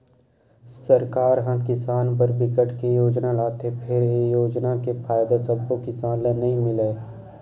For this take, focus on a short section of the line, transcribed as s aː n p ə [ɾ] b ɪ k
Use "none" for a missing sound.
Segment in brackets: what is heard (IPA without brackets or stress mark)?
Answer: ɾ